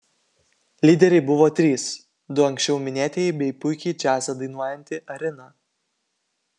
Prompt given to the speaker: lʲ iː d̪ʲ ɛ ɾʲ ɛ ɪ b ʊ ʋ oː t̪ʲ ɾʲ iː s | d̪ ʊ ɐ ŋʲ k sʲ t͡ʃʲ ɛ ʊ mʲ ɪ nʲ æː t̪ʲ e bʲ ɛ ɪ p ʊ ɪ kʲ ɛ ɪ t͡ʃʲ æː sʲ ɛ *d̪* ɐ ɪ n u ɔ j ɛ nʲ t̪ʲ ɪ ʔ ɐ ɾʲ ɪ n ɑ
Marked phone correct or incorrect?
correct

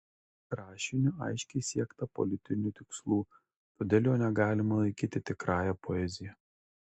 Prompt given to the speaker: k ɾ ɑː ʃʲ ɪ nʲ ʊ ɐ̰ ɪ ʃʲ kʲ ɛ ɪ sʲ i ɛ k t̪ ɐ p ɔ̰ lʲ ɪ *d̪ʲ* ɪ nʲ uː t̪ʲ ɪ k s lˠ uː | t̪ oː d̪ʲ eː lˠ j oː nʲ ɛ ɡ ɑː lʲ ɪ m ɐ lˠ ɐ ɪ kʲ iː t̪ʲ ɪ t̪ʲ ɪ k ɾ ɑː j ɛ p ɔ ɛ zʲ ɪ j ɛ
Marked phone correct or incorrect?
incorrect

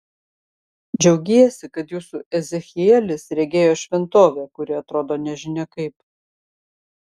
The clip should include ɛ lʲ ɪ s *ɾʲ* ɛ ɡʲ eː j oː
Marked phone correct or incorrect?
correct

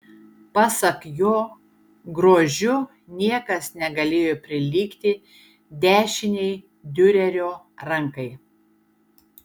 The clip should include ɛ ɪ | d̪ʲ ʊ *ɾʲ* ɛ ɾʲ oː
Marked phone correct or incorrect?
correct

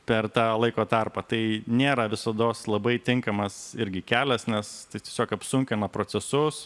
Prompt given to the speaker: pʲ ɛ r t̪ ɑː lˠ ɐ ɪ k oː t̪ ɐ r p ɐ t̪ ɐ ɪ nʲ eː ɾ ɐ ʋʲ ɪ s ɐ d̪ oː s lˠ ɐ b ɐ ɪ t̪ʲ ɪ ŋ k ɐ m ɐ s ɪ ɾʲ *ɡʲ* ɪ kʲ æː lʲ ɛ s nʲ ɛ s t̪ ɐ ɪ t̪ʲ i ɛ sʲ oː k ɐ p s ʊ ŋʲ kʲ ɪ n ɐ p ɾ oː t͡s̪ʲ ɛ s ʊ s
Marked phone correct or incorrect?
correct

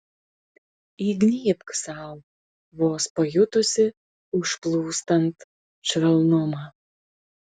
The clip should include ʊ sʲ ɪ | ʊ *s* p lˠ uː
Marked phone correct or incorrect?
incorrect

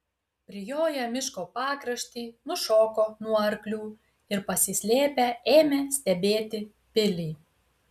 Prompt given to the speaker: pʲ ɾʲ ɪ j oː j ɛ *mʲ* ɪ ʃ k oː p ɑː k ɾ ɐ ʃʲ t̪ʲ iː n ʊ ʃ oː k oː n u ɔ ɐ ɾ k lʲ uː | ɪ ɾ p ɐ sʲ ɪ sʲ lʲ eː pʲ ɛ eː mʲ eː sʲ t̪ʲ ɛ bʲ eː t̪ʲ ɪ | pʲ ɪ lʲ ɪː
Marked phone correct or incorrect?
correct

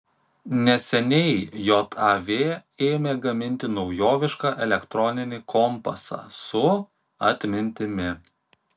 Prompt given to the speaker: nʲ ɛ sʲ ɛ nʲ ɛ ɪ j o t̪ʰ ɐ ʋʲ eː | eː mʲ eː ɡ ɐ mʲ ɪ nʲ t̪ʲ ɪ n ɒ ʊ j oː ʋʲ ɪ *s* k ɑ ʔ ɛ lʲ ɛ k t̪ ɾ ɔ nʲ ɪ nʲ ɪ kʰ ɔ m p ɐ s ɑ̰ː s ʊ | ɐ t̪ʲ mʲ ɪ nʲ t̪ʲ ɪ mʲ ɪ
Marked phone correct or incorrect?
incorrect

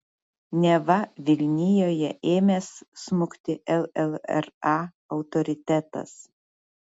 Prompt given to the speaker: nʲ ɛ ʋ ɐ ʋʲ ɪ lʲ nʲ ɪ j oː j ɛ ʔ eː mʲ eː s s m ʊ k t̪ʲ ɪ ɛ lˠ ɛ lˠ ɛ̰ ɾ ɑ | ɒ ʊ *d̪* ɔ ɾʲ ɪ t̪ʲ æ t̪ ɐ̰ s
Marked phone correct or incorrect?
incorrect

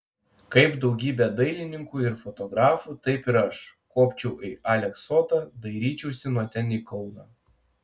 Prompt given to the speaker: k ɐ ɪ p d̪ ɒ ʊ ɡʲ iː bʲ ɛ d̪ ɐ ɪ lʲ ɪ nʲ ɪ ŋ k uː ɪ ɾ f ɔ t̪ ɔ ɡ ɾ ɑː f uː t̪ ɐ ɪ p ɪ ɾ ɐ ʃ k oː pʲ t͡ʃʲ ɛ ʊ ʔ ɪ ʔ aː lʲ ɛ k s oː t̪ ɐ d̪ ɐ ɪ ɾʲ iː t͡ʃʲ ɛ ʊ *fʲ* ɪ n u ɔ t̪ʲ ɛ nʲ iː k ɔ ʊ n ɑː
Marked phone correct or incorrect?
incorrect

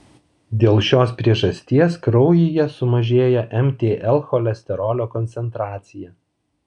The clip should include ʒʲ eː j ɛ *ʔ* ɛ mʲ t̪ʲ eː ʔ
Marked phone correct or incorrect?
correct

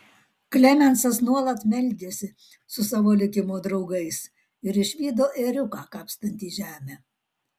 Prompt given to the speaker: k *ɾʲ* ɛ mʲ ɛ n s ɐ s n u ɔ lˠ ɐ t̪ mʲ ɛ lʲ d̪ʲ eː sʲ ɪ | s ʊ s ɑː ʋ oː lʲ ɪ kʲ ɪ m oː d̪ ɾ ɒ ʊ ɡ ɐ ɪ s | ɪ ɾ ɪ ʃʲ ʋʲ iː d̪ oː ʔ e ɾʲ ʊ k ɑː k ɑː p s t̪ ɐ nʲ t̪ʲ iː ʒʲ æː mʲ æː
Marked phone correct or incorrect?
incorrect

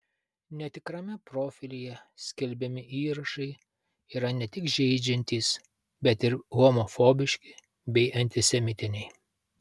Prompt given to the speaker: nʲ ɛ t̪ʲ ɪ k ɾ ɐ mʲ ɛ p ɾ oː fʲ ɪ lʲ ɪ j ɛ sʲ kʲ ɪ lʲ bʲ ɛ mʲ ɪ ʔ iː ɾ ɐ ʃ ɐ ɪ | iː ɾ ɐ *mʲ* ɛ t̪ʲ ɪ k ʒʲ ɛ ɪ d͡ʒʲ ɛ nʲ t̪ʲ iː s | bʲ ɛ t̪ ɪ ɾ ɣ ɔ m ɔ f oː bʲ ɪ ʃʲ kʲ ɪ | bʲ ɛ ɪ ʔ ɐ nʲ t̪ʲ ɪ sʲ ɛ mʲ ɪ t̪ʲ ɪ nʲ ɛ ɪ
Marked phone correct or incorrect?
incorrect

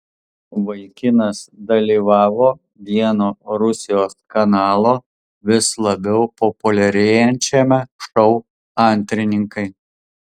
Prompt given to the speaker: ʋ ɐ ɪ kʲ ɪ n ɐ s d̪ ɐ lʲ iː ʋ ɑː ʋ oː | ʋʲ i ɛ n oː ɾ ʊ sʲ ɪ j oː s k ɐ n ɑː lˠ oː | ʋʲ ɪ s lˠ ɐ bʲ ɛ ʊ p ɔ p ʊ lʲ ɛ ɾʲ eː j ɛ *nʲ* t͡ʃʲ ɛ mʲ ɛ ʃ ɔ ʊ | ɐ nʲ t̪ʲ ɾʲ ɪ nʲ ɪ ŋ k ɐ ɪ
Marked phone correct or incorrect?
correct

